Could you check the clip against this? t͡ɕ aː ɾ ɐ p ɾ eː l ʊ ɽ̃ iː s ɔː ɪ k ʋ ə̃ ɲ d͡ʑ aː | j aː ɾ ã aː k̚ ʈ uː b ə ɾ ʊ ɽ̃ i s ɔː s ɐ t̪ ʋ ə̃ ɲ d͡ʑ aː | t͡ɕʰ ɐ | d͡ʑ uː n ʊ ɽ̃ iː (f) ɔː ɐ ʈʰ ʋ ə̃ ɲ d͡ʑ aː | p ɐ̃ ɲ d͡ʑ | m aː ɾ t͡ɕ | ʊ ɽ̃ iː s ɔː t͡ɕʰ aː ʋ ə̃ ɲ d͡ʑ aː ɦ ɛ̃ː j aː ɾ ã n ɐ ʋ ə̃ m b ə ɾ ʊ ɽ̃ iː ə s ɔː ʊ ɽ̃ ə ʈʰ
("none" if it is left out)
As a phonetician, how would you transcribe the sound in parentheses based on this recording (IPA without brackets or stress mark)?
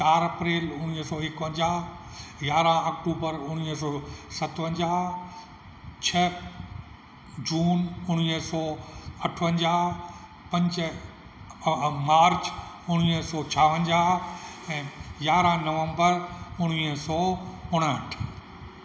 s